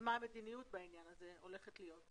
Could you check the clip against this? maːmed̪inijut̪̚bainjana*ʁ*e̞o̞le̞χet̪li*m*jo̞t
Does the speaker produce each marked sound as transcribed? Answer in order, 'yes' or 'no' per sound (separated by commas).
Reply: no, no